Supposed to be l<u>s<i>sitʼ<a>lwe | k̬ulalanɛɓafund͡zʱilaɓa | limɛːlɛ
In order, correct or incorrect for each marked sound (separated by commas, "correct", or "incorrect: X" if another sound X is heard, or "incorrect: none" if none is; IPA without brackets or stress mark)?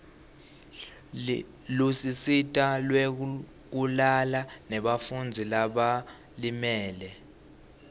correct, correct, correct